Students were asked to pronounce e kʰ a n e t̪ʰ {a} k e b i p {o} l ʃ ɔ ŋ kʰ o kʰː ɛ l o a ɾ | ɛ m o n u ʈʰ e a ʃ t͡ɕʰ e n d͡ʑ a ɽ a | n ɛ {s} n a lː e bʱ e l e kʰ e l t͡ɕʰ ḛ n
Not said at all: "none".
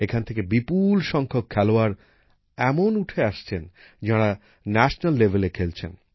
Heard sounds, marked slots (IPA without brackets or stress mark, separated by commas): e, u, ʃ